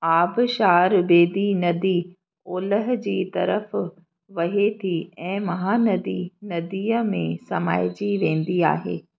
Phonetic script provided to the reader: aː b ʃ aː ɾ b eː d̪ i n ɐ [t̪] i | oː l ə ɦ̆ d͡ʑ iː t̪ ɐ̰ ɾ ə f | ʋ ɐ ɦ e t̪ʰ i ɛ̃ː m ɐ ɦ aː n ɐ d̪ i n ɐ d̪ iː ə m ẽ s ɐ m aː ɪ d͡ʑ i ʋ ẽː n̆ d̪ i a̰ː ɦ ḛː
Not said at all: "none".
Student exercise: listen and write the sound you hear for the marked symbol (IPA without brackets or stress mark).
d̪